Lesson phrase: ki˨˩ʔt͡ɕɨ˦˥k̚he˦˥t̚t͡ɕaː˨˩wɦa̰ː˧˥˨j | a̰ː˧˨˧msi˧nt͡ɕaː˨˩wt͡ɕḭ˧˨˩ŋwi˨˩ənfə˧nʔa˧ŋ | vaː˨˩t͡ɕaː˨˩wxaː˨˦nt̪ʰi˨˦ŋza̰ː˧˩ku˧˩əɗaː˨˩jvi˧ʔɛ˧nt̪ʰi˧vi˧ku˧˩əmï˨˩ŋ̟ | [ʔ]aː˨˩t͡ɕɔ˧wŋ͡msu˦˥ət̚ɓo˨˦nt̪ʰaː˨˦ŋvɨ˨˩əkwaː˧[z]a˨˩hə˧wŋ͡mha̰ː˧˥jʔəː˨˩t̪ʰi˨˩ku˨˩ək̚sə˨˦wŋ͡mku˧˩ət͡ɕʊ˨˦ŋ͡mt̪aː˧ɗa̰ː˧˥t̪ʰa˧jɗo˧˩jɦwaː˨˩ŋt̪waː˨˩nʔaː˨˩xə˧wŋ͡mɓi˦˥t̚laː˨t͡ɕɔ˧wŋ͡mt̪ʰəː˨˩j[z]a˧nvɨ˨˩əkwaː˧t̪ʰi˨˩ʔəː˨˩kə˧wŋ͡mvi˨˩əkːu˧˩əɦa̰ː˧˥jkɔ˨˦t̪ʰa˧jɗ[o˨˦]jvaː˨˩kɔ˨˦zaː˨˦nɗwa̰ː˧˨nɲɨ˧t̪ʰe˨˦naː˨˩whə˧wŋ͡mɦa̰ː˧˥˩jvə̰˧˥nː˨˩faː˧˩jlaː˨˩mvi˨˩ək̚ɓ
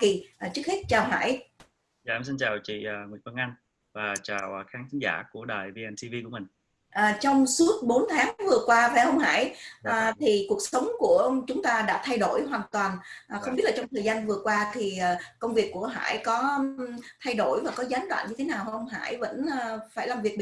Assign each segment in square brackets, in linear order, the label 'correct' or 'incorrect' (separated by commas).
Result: correct, incorrect, correct, incorrect